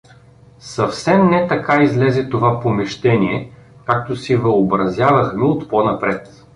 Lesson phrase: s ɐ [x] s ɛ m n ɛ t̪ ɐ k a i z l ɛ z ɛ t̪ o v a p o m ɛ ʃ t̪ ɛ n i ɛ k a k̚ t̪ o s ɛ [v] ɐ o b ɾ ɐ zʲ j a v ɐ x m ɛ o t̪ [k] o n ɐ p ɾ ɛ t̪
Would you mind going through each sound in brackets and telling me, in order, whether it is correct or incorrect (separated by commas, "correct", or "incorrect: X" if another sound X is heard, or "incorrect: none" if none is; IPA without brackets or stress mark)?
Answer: incorrect: f, correct, incorrect: p